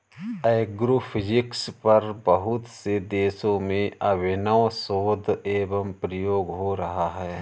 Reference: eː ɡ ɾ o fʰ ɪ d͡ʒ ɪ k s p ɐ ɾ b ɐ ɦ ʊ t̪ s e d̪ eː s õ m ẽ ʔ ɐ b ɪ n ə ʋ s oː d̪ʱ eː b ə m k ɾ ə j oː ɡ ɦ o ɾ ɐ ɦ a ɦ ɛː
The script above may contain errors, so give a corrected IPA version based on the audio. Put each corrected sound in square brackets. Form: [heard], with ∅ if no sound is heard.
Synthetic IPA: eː ɡ ɾ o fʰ ɪ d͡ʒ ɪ k s p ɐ ɾ b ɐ ɦ ʊ t̪ s e d̪ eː s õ m ẽ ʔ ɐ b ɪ n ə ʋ s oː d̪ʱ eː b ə m [p] ɾ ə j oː ɡ ɦ o ɾ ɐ ɦ a ɦ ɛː